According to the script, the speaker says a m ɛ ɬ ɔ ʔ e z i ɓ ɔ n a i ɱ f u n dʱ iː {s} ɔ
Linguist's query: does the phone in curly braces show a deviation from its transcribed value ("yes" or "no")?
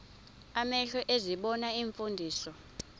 no